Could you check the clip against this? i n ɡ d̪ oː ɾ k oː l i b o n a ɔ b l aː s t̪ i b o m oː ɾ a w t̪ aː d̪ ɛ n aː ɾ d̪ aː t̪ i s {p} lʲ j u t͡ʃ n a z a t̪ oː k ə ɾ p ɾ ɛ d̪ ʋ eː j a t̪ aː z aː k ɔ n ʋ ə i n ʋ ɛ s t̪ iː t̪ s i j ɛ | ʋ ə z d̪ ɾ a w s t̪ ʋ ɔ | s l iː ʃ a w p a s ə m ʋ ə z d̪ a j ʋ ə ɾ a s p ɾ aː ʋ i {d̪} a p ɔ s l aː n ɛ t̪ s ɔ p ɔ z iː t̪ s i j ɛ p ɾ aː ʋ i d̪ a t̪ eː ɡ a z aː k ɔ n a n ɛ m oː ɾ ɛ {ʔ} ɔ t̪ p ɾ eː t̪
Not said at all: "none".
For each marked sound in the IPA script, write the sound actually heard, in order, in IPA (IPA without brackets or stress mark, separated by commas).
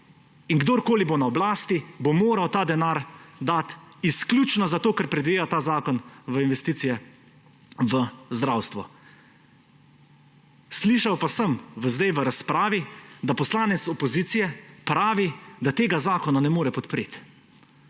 k, d̪, p